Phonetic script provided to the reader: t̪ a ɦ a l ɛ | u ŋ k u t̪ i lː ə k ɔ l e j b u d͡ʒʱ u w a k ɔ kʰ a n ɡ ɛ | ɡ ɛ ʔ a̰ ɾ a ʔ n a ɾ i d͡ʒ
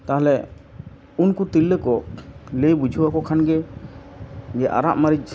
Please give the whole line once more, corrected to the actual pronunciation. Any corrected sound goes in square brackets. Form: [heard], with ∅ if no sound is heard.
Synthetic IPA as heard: t̪ a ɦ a l ɛ | u [n] k u t̪ i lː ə k ɔ l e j b u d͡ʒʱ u w a k ɔ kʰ a n ɡ ɛ | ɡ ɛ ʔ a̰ ɾ a ʔ [m] a ɾ i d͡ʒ